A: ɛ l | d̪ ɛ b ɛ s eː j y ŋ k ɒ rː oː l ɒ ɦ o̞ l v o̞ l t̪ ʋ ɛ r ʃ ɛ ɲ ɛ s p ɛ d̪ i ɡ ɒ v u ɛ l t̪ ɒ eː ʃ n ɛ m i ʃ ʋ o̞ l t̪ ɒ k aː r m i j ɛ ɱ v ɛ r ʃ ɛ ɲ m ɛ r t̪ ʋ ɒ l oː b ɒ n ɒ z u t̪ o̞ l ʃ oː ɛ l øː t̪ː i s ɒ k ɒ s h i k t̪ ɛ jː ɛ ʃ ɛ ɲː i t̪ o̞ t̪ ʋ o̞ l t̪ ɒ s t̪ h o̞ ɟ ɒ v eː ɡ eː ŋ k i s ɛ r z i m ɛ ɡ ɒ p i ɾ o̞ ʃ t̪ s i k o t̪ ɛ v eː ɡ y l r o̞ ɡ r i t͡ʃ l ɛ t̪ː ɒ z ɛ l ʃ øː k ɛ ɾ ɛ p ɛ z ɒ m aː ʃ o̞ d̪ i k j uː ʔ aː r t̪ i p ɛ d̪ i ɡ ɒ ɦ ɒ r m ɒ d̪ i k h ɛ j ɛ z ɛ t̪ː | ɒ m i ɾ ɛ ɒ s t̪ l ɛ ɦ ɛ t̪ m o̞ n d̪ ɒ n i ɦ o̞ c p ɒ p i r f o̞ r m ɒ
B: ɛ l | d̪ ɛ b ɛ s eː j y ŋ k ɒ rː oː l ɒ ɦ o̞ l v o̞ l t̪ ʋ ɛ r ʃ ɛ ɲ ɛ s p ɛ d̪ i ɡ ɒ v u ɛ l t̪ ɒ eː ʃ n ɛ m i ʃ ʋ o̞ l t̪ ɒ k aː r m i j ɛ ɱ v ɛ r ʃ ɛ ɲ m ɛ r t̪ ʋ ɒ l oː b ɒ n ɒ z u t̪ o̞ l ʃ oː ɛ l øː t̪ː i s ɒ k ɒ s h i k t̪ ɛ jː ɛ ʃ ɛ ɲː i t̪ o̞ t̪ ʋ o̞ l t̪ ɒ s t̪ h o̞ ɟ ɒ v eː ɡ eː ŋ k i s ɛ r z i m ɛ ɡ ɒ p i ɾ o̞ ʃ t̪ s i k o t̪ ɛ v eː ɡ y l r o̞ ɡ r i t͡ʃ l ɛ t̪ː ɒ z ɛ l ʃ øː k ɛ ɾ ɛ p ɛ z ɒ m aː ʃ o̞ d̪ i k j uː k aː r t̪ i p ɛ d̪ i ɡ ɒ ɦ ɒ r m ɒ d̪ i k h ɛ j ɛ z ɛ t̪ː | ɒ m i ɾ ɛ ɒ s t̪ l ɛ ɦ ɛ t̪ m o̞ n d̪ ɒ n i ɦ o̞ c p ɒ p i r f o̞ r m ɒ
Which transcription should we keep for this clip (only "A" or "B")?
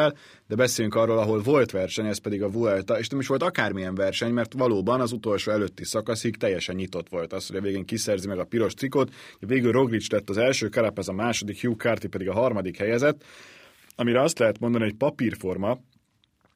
B